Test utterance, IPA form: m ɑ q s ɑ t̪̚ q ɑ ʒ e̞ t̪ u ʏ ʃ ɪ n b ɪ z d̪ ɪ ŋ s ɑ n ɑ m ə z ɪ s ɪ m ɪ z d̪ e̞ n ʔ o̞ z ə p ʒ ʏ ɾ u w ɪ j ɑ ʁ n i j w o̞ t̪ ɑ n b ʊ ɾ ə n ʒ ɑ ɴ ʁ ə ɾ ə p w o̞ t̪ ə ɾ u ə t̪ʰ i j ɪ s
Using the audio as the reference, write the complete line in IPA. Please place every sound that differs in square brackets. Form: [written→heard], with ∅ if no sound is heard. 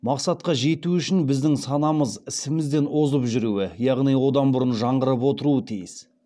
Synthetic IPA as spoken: m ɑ q s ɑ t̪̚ q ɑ ʒ e̞ t̪ u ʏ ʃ ɪ n b ɪ z d̪ ɪ ŋ s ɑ n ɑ m ə z ɪ s ɪ m ɪ z d̪ e̞ n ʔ o̞ z ə p ʒ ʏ ɾ u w ɪ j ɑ ʁ n i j w o̞ [t̪→d̪] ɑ n b ʊ ɾ ə n ʒ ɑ ɴ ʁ ə ɾ ə p w o̞ t̪ ə ɾ u ə t̪ʰ i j ɪ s

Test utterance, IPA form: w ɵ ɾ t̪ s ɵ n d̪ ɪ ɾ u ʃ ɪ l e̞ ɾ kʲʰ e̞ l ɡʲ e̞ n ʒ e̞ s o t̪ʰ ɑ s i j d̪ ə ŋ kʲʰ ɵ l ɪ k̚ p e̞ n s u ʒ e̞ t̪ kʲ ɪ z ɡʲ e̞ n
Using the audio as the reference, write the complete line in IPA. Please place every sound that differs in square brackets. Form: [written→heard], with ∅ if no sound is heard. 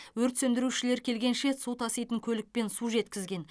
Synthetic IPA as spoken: w ɵ ɾ t̪ s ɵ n d̪ ɪ ɾ u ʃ ɪ l e̞ ɾ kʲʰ e̞ l ɡʲ e̞ n [ʒ→ʃ] e̞ s [o→u] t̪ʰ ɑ s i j [d̪→t̪] ə ŋ kʲʰ ɵ l ɪ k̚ p e̞ n s u ʒ e̞ t̪ kʲ ɪ z ɡʲ e̞ n

